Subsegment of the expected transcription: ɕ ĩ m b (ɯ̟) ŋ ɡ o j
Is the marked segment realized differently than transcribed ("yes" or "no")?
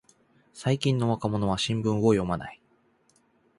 yes